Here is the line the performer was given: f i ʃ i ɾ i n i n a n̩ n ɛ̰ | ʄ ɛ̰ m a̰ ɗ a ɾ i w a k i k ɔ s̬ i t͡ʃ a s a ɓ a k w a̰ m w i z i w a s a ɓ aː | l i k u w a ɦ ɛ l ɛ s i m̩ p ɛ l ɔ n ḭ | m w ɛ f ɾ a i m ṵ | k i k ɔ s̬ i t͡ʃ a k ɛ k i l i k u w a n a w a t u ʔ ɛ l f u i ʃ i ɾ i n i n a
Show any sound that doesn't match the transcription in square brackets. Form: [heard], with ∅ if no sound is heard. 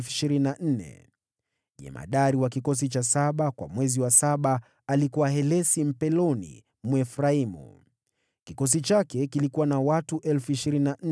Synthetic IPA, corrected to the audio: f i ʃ i ɾ i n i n a n̩ n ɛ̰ | ʄ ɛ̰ m a̰ ɗ a ɾ i w a k i k ɔ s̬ i t͡ʃ a s a ɓ a k w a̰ m w [ɛ] z i w a s a ɓ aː | l i k u w a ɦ ɛ l ɛ s i m̩ p ɛ l ɔ n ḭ | m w ɛ f ɾ a i m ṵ | k i k ɔ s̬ i t͡ʃ a k ɛ k i l i k u w a n a w a t u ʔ ɛ l f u i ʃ i ɾ i n i n a